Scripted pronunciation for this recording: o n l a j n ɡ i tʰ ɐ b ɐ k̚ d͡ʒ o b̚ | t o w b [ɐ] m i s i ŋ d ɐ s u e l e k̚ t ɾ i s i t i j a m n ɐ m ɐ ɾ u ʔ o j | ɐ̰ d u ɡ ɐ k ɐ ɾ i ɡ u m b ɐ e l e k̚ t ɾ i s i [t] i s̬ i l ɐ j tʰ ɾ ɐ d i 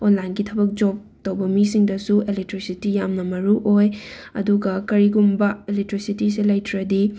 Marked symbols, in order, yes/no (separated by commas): yes, yes